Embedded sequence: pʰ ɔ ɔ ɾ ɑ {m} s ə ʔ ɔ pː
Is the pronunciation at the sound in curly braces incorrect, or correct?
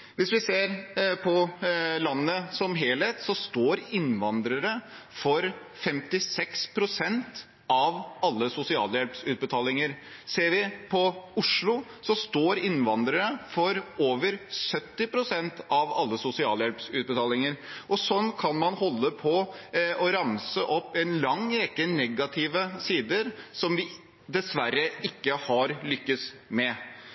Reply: correct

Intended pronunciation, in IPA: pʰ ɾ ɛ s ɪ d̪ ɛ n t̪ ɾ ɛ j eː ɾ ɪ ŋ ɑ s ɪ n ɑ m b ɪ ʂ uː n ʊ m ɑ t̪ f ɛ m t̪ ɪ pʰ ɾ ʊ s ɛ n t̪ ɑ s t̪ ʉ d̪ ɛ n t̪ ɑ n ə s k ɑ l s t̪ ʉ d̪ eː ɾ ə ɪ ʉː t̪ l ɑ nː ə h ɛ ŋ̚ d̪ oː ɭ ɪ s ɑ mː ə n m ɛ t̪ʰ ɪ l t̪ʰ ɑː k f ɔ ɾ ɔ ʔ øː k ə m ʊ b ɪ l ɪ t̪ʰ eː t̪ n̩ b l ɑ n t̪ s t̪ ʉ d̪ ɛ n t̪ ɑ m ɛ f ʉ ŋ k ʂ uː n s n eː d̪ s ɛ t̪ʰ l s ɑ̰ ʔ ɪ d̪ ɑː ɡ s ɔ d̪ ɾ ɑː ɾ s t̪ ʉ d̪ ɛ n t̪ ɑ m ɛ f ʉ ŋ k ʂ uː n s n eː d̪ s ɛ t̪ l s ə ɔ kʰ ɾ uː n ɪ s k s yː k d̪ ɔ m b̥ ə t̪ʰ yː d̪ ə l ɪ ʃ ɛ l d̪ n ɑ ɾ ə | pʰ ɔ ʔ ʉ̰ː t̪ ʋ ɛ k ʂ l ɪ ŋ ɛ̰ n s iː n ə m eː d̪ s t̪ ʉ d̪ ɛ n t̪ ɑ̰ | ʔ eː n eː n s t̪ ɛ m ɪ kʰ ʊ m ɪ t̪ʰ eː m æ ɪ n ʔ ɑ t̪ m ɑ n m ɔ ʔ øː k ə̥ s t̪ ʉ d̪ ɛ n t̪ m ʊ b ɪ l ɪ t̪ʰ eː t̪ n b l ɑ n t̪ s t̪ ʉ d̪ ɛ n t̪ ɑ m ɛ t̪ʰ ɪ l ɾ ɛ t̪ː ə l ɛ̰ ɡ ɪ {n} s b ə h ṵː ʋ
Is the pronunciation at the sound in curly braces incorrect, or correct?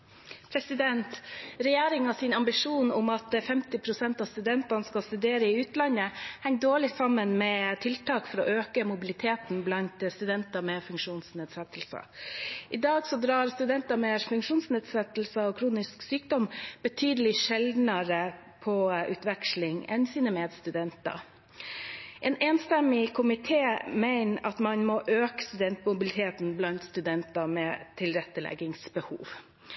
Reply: incorrect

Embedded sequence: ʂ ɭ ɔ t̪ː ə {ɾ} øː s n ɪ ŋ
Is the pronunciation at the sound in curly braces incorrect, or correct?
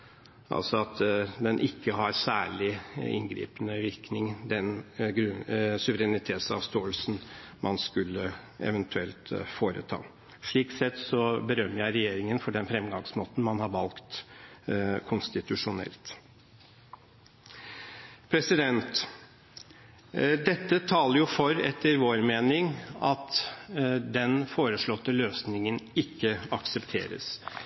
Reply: incorrect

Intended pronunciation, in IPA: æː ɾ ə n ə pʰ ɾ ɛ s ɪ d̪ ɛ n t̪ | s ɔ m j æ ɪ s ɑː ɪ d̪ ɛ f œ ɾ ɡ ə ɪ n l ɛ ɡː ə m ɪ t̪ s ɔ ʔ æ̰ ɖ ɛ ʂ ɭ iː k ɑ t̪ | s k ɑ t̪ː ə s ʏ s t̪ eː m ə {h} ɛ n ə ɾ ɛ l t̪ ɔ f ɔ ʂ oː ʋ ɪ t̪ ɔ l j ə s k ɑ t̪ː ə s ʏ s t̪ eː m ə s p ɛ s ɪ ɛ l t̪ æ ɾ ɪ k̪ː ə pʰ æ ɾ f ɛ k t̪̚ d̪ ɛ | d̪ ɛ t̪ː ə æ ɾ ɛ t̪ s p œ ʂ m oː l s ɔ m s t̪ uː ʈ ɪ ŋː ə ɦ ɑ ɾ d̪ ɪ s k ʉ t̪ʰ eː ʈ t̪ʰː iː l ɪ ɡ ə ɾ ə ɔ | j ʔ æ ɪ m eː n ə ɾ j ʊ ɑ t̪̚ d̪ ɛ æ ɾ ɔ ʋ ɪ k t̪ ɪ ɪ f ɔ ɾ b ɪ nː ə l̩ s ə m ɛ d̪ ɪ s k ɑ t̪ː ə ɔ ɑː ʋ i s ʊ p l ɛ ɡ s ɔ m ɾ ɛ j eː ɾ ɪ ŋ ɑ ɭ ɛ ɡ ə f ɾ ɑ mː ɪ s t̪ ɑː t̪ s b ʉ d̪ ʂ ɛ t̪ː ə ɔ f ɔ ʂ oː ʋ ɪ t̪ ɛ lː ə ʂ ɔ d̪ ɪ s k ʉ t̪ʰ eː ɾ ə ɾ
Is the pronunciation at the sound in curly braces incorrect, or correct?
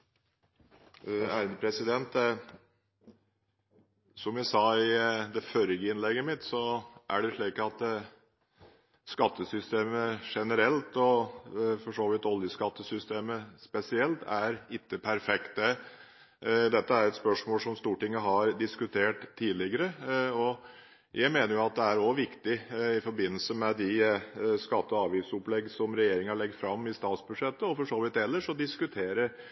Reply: incorrect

